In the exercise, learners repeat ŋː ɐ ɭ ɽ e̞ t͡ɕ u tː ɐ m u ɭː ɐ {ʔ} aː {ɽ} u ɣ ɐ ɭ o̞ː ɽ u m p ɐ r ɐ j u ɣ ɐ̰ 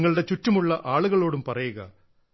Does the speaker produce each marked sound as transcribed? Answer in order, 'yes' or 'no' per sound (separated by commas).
yes, no